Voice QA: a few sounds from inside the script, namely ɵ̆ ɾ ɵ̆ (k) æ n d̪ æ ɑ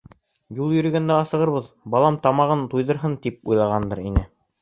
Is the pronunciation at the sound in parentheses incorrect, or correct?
incorrect